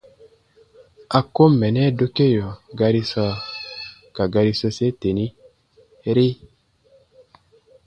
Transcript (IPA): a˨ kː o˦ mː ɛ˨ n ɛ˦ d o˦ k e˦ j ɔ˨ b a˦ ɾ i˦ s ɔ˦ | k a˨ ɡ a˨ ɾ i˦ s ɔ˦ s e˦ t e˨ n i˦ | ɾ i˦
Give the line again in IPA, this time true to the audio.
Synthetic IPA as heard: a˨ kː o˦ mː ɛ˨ n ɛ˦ d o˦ k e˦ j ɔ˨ ɡ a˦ ɾ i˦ s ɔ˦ | k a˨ ɡ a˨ ɾ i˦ s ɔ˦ s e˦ t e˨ n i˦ | ɾ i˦